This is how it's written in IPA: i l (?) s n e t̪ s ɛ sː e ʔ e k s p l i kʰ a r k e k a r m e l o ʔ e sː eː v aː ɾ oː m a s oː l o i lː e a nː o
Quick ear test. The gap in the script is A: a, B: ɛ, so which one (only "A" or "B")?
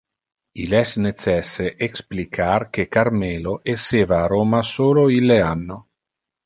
B